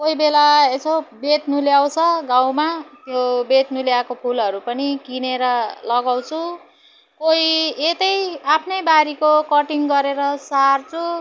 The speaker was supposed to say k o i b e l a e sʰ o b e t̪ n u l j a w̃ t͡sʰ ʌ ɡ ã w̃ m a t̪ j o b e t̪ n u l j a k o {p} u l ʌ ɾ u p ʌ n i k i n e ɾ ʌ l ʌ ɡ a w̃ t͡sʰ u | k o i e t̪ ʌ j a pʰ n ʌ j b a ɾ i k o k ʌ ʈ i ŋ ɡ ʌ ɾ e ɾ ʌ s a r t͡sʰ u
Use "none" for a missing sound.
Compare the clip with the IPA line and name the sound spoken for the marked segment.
pʰ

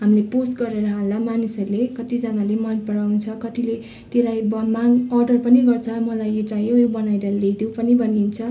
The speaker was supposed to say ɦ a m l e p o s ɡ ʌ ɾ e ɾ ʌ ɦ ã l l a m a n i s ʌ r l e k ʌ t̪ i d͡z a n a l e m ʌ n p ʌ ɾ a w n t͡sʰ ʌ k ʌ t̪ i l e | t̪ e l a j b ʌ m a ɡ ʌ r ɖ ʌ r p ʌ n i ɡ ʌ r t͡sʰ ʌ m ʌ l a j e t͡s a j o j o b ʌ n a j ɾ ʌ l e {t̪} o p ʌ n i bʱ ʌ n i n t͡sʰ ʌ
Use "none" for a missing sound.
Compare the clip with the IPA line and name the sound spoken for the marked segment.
d̪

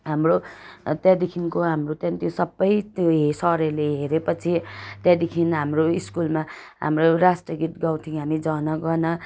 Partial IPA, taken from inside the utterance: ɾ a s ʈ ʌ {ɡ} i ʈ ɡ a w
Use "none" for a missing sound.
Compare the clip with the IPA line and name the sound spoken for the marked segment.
ɡ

